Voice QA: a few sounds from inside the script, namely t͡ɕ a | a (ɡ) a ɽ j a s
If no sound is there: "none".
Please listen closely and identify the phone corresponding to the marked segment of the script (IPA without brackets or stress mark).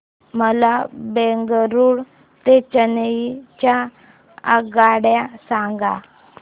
ɡ